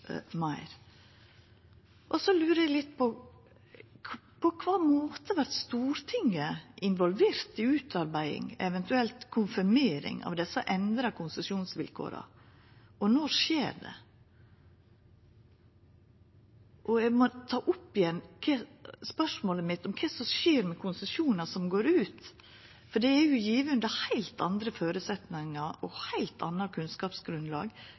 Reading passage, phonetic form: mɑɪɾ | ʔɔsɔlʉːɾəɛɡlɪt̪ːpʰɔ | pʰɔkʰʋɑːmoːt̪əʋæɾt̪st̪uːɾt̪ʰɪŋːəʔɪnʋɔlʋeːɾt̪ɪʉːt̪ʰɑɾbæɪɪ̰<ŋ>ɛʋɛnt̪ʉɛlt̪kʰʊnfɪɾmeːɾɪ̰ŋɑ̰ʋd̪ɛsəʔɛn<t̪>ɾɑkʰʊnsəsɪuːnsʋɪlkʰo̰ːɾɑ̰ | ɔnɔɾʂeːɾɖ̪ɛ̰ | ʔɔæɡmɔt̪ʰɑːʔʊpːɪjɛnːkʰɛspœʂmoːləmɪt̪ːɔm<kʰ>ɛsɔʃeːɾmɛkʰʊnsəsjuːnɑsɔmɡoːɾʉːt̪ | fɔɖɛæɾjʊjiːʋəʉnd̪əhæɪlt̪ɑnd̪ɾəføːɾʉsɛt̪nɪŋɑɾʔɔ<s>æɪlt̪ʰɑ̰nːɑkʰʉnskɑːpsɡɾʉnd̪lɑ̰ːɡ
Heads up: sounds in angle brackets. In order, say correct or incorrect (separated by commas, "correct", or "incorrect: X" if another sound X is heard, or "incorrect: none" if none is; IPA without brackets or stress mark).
correct, incorrect: d̪, correct, incorrect: h